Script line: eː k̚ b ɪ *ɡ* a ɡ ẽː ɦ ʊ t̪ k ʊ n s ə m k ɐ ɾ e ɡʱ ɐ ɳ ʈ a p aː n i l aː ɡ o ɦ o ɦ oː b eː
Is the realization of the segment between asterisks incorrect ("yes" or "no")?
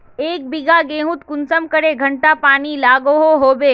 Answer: no